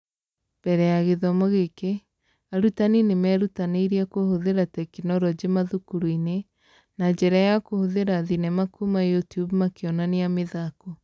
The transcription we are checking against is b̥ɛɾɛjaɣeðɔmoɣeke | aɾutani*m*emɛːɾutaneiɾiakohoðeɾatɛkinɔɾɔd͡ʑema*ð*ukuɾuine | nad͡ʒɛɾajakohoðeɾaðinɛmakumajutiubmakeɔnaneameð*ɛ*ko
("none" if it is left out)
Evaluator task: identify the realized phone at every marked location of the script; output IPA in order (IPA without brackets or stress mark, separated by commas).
n, ð, a